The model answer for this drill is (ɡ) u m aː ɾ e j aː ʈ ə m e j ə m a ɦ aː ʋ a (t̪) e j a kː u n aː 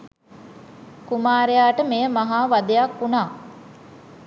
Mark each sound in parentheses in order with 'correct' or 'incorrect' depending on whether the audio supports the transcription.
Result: incorrect: k, incorrect: d̪

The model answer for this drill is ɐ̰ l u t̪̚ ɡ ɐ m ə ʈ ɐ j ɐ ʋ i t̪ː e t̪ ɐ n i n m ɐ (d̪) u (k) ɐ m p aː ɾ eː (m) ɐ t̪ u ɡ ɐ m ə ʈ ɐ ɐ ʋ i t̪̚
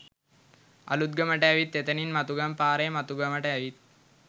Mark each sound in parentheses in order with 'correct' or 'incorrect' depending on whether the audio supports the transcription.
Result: incorrect: t̪, incorrect: ɡ, correct

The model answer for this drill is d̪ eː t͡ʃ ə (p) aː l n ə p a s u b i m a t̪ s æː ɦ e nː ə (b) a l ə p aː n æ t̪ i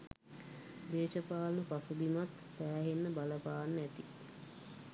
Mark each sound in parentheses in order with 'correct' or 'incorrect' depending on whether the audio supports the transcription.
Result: correct, correct

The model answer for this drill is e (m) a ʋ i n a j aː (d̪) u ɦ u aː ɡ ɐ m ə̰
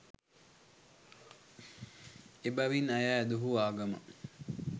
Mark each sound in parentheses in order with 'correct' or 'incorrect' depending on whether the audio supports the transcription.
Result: incorrect: b, correct

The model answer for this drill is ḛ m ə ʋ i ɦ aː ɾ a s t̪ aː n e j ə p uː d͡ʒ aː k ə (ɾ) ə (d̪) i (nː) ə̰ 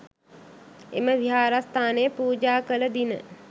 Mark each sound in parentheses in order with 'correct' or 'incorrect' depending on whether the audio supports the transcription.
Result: incorrect: l, correct, incorrect: n

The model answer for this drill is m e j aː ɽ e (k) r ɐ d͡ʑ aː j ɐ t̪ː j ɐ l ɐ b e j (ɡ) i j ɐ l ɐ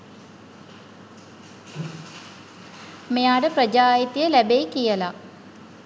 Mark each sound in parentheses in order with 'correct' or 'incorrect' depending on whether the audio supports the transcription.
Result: incorrect: p, incorrect: k

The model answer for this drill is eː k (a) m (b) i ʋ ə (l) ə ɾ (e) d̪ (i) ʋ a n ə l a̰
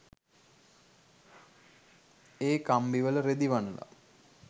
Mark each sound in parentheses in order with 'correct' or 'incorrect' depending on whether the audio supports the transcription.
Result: correct, correct, correct, correct, correct

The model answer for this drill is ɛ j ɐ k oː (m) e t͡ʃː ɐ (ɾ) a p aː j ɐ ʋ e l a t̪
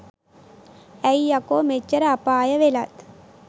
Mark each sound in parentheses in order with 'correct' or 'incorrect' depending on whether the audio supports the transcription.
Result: correct, correct

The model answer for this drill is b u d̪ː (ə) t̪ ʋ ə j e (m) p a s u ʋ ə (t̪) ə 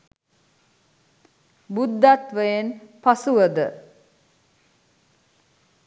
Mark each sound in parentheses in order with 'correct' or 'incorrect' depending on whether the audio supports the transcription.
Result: incorrect: a, incorrect: n, incorrect: d̪

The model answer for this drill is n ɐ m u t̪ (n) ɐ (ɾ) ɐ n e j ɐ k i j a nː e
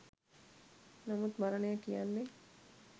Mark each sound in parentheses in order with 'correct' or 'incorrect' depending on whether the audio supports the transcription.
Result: incorrect: m, correct

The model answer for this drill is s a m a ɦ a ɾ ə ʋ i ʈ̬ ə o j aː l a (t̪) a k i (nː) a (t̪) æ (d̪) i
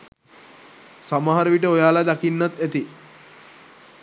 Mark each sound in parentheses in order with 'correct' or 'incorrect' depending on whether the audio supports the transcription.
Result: incorrect: d̪, correct, correct, incorrect: t̪

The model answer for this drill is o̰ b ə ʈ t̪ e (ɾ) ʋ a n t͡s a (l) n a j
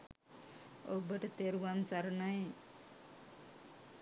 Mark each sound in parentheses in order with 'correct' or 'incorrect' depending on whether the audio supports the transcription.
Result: correct, incorrect: ɾ

